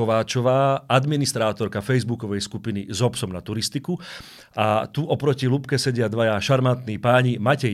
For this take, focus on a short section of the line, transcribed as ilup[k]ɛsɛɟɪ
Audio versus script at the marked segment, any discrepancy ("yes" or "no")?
no